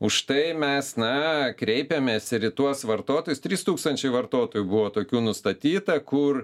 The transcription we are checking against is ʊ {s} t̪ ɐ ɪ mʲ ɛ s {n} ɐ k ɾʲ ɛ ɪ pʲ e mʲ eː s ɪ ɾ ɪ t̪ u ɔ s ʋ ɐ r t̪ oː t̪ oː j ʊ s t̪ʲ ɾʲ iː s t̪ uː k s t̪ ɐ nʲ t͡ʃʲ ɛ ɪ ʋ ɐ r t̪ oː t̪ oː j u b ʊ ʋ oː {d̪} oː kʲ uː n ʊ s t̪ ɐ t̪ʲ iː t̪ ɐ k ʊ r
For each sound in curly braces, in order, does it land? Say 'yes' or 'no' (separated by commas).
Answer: no, yes, no